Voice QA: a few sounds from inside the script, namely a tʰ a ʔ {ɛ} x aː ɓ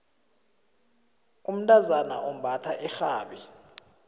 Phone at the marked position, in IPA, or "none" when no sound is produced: ɛ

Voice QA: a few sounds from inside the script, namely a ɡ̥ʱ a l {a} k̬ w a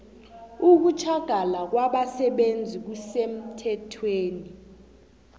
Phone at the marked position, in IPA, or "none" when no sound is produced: a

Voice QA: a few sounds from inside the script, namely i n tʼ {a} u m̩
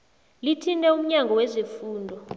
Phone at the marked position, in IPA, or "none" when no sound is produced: ɛ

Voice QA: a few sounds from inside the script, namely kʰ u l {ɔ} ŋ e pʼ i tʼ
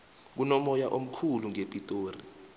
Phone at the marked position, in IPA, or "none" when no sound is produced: u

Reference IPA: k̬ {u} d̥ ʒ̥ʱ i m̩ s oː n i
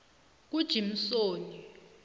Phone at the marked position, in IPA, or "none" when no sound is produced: u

